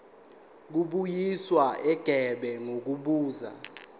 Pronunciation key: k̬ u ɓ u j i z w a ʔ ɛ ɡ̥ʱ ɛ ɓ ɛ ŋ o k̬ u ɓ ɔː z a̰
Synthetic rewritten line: k̬ u ɓ u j i s w a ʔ ɛ ɡ̥ʱ ɛ ɓ ɛ ŋ o k̬ u ɓ uː z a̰